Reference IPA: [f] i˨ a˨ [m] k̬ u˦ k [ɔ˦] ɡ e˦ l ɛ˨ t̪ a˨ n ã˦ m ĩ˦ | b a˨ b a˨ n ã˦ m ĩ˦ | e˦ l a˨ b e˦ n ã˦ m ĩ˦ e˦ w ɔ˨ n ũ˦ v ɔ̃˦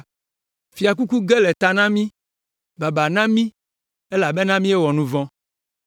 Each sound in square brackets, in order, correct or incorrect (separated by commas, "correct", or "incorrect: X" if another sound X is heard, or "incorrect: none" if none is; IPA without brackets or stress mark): correct, incorrect: none, incorrect: u˦